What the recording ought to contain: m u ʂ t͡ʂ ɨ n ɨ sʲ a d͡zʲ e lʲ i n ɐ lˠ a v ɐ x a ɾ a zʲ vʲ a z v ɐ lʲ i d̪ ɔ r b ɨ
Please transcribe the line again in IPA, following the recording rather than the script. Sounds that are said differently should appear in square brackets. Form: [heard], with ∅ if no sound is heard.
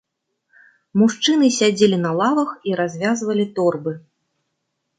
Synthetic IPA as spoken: m u ʂ t͡ʂ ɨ n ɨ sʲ a d͡zʲ e lʲ i n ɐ lˠ a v ɐ x [i] ɾ a zʲ vʲ a z v ɐ lʲ i [t̪] ɔ r b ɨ